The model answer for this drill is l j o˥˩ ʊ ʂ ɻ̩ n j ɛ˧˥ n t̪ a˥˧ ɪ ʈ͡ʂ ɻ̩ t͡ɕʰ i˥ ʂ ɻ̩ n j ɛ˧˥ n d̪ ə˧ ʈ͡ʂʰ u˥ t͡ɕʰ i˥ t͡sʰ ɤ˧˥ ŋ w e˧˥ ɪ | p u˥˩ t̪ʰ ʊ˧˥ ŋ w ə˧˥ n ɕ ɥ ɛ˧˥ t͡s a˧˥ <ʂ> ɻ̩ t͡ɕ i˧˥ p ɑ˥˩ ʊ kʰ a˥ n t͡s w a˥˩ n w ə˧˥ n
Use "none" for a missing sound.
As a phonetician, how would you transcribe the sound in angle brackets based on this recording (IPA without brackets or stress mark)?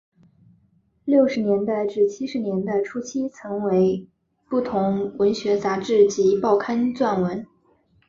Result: ʈ͡ʂ